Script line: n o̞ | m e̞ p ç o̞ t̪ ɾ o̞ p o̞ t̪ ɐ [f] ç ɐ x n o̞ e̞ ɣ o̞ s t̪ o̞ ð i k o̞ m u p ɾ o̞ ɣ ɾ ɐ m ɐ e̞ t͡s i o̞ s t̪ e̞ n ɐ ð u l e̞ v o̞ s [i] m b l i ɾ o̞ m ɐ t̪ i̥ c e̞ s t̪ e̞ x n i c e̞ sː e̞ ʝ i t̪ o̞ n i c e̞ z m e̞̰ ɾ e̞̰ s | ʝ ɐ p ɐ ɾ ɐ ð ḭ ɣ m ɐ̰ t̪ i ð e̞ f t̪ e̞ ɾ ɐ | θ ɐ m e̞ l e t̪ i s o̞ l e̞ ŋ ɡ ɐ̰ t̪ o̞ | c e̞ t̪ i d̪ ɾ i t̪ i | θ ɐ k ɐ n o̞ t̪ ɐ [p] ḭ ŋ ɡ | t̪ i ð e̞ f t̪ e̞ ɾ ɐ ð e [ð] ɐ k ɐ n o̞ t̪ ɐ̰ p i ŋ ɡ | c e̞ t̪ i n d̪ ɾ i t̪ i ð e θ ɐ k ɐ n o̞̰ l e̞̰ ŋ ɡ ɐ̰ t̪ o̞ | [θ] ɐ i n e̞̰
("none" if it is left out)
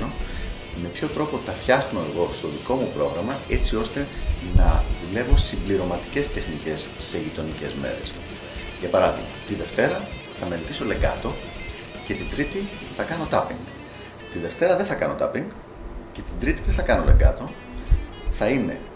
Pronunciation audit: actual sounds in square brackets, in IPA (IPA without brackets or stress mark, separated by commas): f, i, p, θ, θ